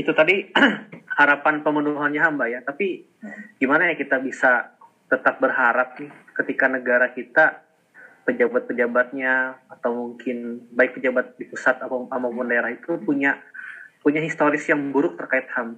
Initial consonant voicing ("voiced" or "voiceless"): voiceless